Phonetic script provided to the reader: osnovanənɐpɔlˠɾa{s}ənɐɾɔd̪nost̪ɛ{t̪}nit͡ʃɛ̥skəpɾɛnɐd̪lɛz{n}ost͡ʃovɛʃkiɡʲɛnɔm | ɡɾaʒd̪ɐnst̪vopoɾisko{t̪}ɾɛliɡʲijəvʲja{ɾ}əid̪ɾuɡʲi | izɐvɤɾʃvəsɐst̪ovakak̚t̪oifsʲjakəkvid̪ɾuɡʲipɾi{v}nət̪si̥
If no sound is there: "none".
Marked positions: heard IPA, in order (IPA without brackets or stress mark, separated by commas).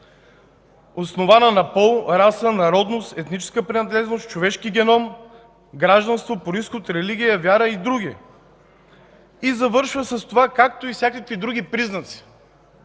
s, t̪, n, t̪, ɾ, z